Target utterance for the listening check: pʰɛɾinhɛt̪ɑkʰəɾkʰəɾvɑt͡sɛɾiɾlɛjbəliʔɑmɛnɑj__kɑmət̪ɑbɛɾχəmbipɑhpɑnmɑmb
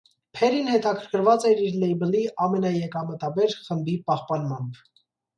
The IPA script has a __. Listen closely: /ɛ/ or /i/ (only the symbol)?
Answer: ɛ